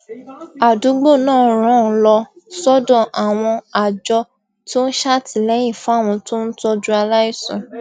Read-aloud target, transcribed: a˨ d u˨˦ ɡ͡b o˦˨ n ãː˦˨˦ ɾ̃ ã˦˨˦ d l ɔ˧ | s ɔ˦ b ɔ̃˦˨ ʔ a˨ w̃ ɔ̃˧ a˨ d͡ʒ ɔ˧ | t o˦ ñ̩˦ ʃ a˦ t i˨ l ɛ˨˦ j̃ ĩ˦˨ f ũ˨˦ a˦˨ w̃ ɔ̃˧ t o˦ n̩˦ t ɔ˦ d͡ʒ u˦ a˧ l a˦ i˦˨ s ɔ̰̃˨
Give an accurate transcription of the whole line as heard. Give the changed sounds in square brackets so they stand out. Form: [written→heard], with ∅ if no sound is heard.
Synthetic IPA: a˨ d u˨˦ ɡ͡b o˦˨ n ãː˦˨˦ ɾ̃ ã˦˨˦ [d→∅] l ɔ˧ | s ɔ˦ [b→d] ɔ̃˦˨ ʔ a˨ w̃ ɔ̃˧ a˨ d͡ʒ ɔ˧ | t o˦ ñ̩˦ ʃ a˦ t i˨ l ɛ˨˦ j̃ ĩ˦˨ f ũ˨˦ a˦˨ w̃ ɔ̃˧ t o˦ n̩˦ t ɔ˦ d͡ʒ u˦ a˧ l a˦ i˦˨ s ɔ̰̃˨